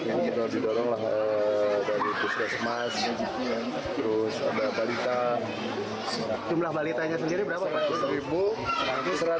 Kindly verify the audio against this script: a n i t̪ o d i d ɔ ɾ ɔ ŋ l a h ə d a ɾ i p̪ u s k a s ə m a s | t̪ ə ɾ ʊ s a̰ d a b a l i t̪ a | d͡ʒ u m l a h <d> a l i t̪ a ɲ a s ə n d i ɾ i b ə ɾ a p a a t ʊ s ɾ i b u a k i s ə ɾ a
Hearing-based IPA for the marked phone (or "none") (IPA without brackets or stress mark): b